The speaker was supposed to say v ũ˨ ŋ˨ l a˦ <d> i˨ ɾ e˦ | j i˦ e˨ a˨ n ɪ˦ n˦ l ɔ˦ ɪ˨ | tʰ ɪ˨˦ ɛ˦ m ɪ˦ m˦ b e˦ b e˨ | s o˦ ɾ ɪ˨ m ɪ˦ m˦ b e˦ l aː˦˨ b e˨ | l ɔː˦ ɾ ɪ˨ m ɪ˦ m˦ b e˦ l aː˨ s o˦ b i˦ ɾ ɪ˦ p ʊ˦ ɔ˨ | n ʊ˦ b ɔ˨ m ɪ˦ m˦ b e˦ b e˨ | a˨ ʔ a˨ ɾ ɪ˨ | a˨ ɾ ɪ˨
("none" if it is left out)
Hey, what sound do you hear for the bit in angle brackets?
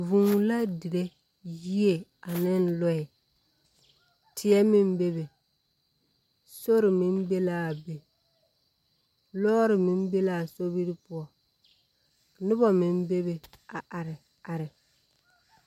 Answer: d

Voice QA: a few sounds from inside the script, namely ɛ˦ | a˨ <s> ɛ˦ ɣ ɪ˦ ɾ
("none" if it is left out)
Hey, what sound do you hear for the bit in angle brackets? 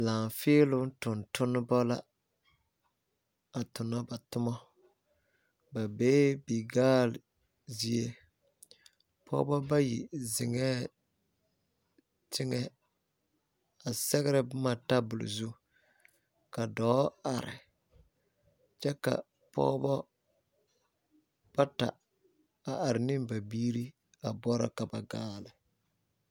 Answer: s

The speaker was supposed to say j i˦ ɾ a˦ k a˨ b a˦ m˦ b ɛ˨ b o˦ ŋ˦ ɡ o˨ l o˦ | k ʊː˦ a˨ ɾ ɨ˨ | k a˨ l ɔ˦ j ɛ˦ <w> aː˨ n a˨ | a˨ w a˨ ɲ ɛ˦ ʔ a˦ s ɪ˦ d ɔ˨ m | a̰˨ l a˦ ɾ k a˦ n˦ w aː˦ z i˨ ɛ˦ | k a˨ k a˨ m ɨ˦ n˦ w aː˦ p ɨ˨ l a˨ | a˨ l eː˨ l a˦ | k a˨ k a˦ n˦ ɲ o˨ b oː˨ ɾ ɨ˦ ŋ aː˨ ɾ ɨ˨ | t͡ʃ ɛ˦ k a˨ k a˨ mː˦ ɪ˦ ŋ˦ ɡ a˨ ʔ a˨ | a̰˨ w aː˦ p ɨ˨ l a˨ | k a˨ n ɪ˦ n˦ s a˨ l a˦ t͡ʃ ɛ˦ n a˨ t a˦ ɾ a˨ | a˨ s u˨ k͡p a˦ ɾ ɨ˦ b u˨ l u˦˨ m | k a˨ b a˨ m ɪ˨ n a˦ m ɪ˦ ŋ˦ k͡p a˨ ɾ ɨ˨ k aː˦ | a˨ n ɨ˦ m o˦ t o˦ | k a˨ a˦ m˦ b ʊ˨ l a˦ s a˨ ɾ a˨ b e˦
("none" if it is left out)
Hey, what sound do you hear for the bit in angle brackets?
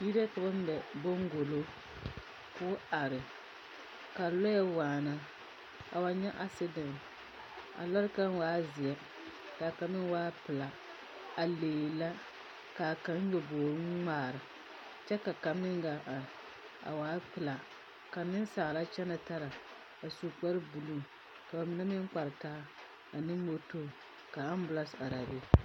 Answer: w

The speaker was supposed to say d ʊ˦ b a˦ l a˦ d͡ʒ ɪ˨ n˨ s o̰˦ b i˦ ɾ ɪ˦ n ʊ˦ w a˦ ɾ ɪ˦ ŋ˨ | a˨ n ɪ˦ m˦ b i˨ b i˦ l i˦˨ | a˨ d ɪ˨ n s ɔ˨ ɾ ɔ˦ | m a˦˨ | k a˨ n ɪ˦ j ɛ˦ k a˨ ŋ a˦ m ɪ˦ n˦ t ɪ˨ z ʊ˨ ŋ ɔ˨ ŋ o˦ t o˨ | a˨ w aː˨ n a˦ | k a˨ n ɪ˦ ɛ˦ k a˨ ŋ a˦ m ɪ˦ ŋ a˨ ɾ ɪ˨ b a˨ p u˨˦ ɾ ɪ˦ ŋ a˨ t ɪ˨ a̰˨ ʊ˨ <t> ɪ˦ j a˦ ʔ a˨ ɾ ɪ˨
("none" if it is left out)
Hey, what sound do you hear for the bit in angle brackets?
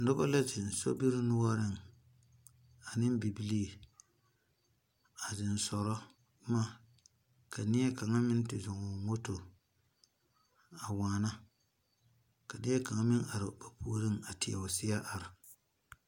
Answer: s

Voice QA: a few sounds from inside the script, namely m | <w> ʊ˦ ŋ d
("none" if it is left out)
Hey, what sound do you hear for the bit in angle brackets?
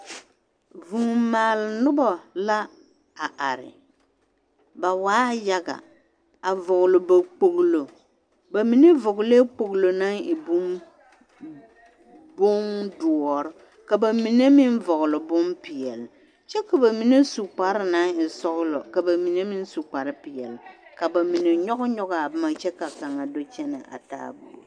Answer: b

